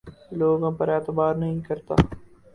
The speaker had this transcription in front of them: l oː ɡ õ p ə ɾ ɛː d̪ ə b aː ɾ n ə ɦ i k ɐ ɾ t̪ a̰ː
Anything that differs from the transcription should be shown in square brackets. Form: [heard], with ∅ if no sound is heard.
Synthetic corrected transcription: l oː ɡ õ p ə ɾ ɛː [t̪] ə b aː ɾ n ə ɦ [ĩ] k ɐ ɾ t̪ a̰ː